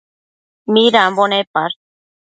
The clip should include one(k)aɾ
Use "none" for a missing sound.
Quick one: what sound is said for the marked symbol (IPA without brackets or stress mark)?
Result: p